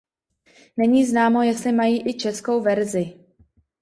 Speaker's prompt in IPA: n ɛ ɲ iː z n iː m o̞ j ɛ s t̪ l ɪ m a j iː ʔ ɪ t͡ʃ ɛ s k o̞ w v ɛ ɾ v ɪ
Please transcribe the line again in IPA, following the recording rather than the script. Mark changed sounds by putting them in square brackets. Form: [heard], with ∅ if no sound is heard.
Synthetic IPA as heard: n ɛ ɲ iː z n [aː] m o̞ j ɛ s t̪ l ɪ m a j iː ʔ ɪ t͡ʃ ɛ s k o̞ w v ɛ ɾ [z] ɪ